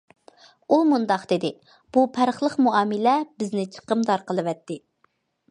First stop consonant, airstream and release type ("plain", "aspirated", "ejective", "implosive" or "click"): plain